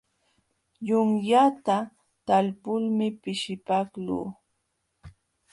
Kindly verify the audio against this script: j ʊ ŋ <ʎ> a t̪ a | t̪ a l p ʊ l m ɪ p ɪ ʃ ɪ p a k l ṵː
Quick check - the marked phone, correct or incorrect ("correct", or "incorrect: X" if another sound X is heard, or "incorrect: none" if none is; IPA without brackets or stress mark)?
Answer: incorrect: j